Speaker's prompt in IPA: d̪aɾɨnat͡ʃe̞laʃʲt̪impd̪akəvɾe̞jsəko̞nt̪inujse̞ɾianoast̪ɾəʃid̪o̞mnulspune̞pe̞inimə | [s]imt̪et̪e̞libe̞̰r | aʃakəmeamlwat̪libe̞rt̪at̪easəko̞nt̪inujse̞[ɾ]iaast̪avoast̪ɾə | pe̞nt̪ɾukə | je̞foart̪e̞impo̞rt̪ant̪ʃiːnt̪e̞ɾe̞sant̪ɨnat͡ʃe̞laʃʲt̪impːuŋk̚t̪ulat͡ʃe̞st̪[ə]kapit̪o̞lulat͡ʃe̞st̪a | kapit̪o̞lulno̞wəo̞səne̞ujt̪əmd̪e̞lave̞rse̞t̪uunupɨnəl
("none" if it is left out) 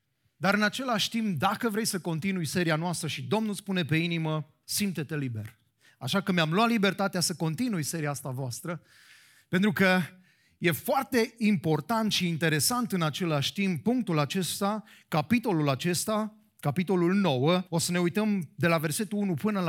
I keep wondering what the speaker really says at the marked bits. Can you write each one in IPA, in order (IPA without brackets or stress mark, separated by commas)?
s, ɾ, a